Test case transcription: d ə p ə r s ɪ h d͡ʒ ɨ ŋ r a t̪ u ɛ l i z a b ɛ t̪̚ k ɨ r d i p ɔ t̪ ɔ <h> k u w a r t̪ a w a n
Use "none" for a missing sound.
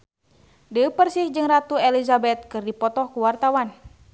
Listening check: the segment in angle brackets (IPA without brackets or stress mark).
h